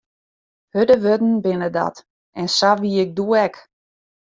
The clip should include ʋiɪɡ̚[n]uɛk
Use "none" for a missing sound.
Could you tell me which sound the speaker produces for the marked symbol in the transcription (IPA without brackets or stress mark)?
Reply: d